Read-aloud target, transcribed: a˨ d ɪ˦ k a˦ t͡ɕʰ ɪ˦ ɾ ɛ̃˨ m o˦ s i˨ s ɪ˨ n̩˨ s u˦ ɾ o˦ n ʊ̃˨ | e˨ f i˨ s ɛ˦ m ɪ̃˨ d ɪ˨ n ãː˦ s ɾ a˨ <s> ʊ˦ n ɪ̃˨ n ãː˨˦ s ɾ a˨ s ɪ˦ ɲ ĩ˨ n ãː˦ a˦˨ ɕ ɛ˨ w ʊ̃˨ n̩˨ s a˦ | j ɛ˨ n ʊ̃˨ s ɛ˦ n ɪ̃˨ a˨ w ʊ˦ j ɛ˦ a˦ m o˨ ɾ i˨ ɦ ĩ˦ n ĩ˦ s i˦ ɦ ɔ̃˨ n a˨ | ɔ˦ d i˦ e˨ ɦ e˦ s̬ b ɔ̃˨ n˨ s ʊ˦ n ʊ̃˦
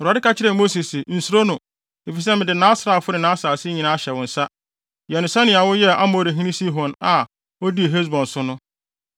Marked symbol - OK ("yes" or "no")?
no